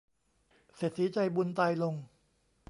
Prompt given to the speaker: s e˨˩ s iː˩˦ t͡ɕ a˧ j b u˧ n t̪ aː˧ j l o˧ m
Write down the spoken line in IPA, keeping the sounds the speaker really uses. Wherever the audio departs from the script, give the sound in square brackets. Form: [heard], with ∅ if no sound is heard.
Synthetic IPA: s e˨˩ s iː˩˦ t͡ɕ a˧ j b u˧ n t̪ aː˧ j l o˧ [ŋ]